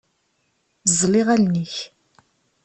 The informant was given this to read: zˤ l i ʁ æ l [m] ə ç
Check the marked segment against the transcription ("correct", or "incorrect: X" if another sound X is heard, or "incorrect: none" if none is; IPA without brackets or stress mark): incorrect: n